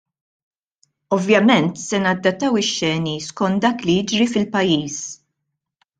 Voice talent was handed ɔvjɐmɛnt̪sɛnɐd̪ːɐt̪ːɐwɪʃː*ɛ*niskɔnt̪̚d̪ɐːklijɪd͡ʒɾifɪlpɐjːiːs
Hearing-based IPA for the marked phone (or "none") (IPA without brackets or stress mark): ɛː